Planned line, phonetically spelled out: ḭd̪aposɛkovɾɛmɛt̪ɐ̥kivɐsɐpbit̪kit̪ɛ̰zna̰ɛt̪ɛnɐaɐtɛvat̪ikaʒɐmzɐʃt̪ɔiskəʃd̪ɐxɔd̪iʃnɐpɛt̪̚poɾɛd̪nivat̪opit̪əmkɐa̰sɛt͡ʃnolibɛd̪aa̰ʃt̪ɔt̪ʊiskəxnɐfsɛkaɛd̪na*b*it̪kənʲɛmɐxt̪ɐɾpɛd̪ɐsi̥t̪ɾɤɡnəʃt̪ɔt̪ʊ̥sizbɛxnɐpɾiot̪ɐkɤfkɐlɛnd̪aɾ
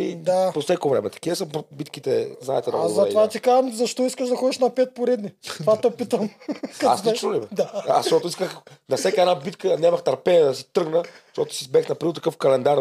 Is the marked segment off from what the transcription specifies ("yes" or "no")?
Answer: no